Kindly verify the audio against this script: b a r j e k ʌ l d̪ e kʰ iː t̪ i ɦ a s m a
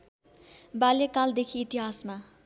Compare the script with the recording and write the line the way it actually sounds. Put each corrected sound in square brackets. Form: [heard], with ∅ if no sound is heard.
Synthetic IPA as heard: b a [l] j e k [a] l d̪ e kʰ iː t̪ i ɦ a s m a